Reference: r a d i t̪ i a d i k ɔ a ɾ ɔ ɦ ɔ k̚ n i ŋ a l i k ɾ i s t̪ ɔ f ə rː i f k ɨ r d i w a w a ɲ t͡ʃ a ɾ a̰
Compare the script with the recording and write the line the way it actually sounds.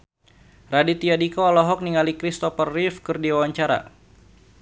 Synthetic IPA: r a d i t̪ i a d i k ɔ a l ɔ ɦ ɔ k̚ n i ŋ a l i k ɾ i s t̪ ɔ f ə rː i f k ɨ r d i w a w a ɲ t͡ʃ a ɾ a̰

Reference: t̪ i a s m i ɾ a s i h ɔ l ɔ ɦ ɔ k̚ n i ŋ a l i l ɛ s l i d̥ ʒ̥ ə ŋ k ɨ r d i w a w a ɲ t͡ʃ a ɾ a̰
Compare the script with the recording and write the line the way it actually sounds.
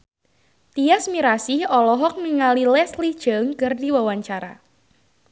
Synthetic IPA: t̪ i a s m i ɾ a s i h ɔ l ɔ ɦ ɔ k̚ n i ŋ a l i l ɛ s l i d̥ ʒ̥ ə ŋ k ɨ r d i w a w a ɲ t͡ʃ a ɾ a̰

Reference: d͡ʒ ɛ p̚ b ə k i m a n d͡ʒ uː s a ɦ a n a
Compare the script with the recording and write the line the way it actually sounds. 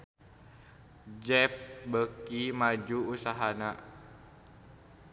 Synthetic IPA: d͡ʒ ɛ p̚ b ə k i m a d͡ʒ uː s a ɦ a n a

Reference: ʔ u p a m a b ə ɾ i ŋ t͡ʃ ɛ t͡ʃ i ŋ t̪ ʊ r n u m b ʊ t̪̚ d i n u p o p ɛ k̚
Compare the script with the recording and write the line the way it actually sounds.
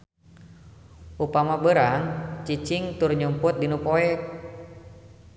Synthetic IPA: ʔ u p a m a b ə ɾ a ŋ t͡ʃ i t͡ʃ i ŋ t̪ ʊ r ɲ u m p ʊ t̪̚ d i n u p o ɛ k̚

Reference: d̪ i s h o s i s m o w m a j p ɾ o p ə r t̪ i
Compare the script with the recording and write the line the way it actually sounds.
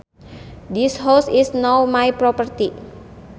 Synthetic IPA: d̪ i s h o s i s n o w m a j p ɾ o p ə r t̪ i

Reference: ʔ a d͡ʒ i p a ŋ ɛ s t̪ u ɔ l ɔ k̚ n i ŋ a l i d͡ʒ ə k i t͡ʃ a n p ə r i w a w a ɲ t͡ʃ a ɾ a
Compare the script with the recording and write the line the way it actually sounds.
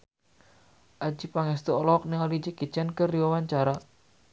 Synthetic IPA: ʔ a d͡ʒ i p a ŋ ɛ s t̪ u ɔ l ɔ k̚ n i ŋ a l i d͡ʒ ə k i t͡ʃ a n k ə r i w a w a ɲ t͡ʃ a ɾ a

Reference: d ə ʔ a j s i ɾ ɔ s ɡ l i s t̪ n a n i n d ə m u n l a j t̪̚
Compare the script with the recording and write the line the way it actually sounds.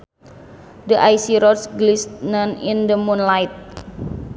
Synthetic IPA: d ə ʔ a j s i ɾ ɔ s ɡ l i s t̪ n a n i n d ə m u n l a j t̪̚

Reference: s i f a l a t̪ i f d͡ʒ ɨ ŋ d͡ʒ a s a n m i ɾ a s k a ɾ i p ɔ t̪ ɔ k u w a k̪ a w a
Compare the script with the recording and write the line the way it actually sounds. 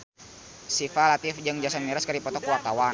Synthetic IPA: s i f a l a t̪ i f d͡ʒ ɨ ŋ d͡ʒ a s a n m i ɾ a s k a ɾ i p ɔ t̪ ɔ k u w a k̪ a w a

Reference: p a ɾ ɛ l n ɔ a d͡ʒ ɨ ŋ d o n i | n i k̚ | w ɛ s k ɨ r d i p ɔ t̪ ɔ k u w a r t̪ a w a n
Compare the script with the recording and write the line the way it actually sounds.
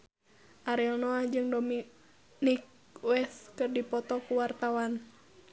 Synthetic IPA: ʔ a ɾ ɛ l n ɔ a d͡ʒ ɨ ŋ d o m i | n i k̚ | w ɛ s k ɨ r d i p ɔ t̪ ɔ k u w a r t̪ a w a n

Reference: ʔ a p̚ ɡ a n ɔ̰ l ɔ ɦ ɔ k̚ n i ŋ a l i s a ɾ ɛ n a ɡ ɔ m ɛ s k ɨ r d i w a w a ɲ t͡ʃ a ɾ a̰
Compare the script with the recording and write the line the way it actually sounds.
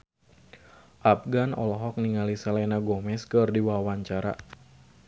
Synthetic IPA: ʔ a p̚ ɡ a n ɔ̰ l ɔ ɦ ɔ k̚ n i ŋ a l i s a l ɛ n a ɡ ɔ m ɛ s k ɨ r d i w a w a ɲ t͡ʃ a ɾ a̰

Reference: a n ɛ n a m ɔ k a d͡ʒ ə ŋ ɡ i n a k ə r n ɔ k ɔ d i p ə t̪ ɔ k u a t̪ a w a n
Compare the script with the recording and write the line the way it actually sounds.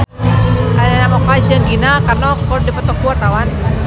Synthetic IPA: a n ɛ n a m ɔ k a d͡ʒ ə ŋ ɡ i n a k a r n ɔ k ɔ d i p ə t̪ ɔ k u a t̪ a w a n

